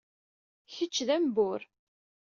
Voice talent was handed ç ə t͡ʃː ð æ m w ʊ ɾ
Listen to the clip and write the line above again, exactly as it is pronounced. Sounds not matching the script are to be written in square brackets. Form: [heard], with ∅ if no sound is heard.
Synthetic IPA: ç ə t͡ʃː ð æ m [b] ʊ ɾ

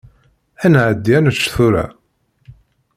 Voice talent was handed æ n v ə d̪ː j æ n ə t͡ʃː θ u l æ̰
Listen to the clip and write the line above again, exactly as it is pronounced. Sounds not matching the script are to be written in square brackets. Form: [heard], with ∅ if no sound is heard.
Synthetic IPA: æ n [ʕ] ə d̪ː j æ n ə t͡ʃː θ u [ɾ] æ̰

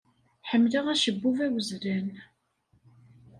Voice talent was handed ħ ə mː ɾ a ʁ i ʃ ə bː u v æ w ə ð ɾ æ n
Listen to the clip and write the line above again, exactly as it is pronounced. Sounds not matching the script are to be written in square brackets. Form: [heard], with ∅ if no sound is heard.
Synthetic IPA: ħ ə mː [l] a ʁ [æ] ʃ ə bː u v æ w ə [z] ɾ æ n

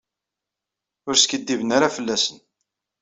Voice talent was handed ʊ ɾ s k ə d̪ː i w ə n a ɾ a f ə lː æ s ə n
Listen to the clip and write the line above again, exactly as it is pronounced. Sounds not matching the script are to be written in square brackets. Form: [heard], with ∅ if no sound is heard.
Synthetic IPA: ʊ ɾ s k ə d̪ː i [v] ə n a ɾ a f ə lː æ s ə n

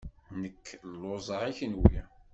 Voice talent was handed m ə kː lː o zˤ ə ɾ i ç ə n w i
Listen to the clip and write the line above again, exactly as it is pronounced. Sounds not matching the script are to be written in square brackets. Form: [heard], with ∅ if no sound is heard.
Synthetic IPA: [n] ə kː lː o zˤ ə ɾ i ç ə n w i

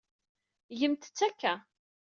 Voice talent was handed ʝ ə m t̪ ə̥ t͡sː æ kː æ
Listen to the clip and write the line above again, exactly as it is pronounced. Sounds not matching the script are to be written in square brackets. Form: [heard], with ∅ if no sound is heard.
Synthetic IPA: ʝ ə m t̪ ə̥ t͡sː æ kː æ

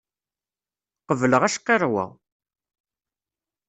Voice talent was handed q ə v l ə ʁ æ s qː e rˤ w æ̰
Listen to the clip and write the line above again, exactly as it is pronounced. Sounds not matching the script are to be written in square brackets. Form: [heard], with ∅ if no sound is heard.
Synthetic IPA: q ə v l ə ʁ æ [ʃ] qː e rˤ w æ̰

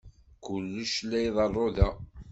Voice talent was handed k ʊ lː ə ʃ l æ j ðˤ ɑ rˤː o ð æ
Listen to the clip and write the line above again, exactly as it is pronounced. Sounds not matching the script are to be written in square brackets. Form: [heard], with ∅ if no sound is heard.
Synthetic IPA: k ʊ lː ə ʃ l æ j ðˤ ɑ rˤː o ð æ

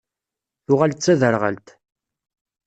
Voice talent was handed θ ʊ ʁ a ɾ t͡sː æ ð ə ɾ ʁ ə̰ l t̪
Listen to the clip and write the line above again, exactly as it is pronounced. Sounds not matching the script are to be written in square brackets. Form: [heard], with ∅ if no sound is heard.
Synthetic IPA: θ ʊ ʁ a [l] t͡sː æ ð ə ɾ ʁ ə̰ l t̪

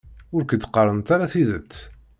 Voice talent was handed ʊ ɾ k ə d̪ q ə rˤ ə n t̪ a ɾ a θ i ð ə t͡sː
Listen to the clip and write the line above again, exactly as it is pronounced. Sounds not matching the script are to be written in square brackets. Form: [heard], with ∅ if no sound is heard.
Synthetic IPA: ʊ ɾ k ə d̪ q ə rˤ ə n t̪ a ɾ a θ i ð ə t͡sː

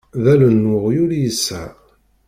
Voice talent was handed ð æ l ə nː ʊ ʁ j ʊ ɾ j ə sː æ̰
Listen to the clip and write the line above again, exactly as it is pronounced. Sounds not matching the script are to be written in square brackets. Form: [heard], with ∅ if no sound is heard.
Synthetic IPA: ð æ l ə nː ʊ ʁ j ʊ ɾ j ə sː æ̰

